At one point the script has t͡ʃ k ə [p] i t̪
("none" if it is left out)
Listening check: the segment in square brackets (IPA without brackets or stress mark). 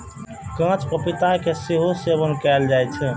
p